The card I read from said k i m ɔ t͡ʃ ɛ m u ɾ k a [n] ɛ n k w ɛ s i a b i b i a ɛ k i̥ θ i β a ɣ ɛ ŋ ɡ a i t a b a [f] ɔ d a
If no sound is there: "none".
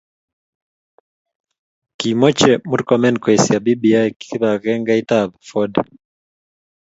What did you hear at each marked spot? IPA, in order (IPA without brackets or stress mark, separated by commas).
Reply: m, f